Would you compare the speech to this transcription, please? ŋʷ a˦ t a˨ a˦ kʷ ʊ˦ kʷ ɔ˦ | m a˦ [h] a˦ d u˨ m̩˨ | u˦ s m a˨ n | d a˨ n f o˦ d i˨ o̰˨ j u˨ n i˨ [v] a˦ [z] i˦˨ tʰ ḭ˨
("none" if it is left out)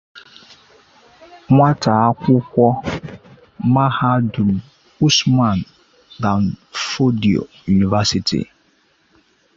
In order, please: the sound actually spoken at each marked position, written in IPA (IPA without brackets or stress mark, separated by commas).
h, v, s